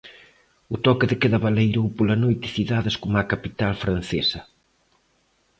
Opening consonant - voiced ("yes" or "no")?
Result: no